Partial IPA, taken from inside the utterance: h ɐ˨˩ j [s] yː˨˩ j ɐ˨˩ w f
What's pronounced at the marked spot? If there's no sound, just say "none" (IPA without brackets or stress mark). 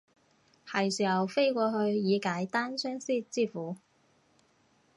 s